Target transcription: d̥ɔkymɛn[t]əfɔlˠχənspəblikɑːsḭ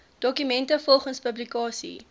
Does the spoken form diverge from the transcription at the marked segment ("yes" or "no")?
no